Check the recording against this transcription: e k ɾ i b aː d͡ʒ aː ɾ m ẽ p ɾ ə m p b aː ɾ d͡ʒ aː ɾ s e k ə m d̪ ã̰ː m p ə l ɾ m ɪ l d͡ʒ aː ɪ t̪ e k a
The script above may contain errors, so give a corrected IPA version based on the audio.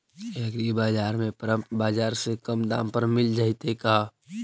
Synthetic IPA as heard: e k ɾ i b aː d͡ʒ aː ɾ m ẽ p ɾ ə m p b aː d͡ʒ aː ɾ s e k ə m d̪ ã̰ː m p ə ɾ m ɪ l d͡ʒ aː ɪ t̪ e k a